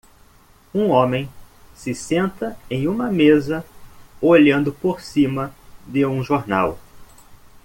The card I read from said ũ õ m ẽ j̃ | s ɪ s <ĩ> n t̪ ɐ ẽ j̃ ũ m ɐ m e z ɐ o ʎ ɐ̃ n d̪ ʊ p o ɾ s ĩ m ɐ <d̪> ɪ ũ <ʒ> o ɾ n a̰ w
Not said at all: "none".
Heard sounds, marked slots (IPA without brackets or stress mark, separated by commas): ẽ, d̪, ʒ